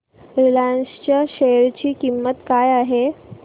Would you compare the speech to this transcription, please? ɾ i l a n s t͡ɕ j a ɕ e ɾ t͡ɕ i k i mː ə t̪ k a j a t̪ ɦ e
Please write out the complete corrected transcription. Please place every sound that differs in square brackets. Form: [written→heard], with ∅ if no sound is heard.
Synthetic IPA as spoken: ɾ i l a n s t͡ɕ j a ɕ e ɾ t͡ɕ [i→iː] k i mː ə t̪ k a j a [t̪→∅] ɦ e